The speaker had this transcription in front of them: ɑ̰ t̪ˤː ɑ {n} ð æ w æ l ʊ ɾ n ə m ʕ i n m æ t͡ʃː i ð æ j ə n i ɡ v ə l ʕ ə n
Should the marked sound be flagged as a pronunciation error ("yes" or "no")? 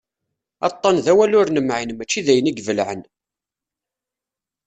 no